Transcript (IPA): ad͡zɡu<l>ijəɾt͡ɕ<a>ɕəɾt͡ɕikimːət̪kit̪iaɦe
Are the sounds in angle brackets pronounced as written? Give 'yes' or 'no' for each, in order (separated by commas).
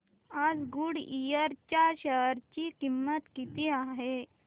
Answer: no, yes